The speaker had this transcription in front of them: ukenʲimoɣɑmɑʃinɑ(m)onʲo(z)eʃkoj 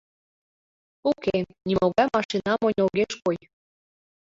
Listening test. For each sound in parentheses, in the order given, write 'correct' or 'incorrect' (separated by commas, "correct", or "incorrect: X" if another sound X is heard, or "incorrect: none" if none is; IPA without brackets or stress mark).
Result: correct, incorrect: ɣ